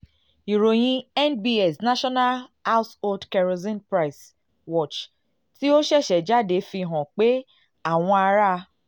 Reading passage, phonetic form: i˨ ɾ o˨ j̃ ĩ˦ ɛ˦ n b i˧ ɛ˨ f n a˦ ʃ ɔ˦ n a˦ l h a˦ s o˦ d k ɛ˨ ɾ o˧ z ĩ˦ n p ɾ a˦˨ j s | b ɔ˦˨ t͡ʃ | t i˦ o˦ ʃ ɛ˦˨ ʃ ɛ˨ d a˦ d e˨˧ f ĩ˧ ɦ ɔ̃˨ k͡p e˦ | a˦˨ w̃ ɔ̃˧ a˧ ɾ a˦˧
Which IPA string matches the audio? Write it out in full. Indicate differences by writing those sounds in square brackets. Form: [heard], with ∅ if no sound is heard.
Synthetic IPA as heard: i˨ ɾ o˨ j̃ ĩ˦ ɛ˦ n b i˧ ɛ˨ [s] n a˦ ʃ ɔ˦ n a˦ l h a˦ s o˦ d k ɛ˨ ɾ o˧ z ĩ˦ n p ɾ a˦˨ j s | [w] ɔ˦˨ t͡ʃ | t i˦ o˦ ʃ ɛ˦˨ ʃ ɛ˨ [d͡ʒ] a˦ d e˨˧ f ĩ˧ ɦ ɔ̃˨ k͡p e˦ | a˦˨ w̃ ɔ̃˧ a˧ ɾ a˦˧